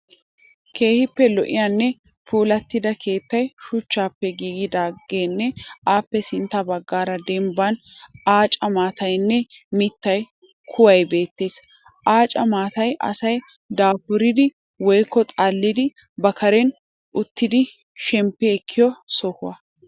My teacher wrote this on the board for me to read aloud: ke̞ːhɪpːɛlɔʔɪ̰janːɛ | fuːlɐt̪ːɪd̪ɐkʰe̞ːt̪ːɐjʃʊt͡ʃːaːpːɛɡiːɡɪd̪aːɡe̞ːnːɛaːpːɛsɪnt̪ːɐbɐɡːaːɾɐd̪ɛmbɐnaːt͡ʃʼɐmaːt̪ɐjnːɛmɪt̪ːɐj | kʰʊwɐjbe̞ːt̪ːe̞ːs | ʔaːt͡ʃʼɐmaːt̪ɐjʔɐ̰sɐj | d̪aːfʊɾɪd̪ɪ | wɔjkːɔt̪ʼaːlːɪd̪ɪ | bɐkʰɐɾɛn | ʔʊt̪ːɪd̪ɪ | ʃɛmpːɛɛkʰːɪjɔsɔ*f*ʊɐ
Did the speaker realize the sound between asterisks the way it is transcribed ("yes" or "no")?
no